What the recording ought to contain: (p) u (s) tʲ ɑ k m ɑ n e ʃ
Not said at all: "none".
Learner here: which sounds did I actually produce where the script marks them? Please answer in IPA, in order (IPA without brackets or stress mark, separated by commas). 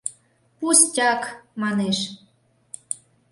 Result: p, s